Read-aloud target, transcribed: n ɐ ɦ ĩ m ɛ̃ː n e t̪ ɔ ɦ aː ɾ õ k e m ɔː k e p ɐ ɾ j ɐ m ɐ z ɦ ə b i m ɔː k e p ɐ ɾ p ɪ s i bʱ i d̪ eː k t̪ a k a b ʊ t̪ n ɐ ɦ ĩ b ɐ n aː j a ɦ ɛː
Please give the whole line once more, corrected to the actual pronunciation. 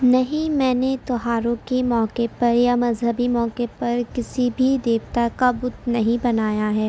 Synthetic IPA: n ɐ ɦ ĩ m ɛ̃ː n e t̪ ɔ ɦ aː ɾ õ k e m ɔː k e p ɐ ɾ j a m ɐ z ɦ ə b i m ɔː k e p ɐ ɾ k ɪ s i bʱ i d̪ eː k t̪ a k a b ʊ t̪ n ɐ ɦ ĩ b ɐ n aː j a ɦ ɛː